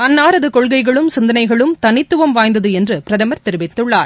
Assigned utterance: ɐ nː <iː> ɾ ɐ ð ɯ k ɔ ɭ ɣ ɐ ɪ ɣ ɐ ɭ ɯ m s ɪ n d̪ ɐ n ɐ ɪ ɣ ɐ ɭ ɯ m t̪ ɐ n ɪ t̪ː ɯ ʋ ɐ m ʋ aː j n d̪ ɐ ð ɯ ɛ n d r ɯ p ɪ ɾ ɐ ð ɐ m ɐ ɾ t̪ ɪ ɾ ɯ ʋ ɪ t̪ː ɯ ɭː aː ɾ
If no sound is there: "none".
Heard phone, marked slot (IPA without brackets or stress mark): aː